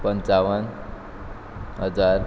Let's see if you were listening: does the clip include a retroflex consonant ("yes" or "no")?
no